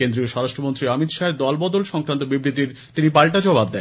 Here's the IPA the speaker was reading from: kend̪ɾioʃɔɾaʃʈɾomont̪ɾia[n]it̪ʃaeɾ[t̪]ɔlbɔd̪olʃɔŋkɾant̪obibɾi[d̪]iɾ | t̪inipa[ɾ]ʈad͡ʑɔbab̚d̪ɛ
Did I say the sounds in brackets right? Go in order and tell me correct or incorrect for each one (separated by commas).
incorrect, incorrect, incorrect, incorrect